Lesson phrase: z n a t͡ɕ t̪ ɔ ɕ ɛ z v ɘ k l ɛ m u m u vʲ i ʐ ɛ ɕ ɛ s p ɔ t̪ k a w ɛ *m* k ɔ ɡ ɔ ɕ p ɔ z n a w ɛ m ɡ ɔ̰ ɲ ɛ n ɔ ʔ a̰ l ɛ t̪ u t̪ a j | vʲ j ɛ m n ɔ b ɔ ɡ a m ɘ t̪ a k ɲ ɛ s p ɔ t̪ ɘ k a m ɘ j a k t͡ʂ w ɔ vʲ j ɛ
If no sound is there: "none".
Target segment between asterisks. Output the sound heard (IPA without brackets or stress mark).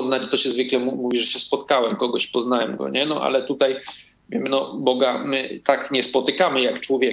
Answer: m